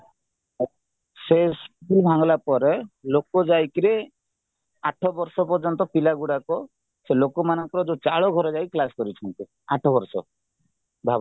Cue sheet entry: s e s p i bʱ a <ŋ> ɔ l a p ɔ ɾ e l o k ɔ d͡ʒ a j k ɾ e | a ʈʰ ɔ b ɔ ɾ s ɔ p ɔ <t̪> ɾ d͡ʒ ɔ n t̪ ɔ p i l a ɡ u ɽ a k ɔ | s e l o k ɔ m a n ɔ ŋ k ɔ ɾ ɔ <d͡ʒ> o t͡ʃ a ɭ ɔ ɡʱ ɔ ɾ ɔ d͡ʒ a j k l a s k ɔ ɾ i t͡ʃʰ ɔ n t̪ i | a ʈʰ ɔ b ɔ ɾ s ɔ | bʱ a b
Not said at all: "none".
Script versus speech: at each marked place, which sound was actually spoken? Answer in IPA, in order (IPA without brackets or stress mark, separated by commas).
ŋ, none, d͡ʒ